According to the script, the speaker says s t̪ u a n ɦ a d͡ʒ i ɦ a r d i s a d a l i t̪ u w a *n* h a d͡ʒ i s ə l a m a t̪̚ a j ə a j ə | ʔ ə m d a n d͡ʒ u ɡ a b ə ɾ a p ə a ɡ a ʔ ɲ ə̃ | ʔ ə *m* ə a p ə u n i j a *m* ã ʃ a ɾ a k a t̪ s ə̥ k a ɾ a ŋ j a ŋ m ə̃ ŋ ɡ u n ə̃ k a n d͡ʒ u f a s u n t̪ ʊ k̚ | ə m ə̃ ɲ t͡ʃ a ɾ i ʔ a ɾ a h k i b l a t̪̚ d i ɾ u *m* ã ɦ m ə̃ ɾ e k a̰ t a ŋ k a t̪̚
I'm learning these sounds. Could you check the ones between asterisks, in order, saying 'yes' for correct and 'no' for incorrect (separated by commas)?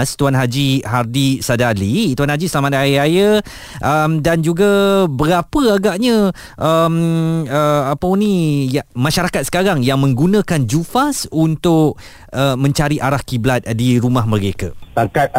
yes, yes, yes, yes